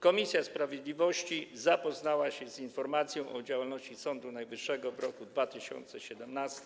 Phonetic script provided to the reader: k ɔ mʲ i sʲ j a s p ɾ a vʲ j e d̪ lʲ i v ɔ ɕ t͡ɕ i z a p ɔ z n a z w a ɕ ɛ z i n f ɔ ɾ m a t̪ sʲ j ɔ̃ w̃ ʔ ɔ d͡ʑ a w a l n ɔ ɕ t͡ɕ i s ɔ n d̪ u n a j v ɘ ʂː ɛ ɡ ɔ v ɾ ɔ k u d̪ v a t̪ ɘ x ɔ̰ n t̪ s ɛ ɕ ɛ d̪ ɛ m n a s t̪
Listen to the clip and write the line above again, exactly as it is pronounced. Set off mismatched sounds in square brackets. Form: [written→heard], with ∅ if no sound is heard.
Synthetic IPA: k ɔ mʲ i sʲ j a s p ɾ a vʲ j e d̪ lʲ i v ɔ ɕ t͡ɕ i z a p ɔ z n a [z→∅] w a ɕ ɛ z i n f ɔ ɾ m a t̪ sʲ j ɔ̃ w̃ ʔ ɔ d͡ʑ a w a l n ɔ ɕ t͡ɕ i s ɔ n d̪ u n a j v ɘ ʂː ɛ ɡ ɔ v ɾ ɔ k u d̪ v a t̪ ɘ [x→ɕ] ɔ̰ n t̪ s ɛ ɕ ɛ d̪ ɛ m n a s t̪